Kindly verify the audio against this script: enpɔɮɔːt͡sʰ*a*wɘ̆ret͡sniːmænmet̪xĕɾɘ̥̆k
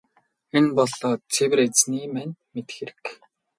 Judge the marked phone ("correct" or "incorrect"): incorrect